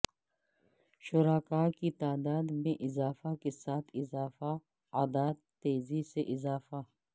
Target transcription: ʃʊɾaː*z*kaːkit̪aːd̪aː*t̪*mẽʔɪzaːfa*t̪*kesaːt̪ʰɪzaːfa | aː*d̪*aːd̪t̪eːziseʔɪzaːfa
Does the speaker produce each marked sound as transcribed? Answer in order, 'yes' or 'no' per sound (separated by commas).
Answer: no, no, no, yes